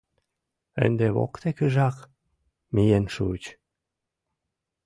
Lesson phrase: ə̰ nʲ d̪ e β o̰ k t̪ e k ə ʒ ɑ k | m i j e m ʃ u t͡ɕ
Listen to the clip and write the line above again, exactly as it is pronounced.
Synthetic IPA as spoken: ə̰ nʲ d̪ e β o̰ k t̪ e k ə ʒ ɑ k | m i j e n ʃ u t͡ɕ